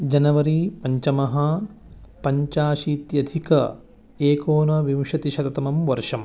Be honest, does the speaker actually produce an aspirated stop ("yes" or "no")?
no